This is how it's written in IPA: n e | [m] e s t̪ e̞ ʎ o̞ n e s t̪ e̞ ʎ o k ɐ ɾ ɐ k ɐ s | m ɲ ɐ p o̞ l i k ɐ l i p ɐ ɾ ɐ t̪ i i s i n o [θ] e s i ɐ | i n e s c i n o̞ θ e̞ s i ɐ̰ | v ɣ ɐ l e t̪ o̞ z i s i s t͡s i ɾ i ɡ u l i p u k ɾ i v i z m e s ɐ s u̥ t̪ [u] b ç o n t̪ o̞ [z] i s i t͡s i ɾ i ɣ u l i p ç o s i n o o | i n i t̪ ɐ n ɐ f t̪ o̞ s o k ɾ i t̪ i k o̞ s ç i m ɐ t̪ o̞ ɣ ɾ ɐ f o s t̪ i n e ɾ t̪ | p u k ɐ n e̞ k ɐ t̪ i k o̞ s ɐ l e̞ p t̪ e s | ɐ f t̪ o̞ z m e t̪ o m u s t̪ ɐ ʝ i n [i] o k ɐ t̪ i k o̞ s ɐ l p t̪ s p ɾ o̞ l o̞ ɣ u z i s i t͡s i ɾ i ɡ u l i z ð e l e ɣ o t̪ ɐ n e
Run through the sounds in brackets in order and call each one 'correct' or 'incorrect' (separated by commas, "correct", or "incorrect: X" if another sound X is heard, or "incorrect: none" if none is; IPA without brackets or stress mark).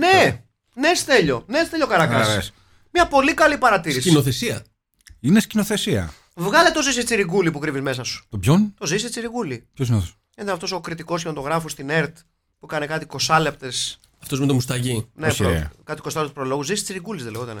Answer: incorrect: n, correct, incorrect: o, correct, incorrect: e